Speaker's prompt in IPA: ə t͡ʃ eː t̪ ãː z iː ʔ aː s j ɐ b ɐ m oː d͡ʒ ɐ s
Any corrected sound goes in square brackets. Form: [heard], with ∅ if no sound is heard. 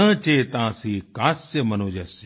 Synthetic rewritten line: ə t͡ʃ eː t̪ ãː [s] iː [k] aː s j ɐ [m] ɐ [n] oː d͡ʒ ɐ s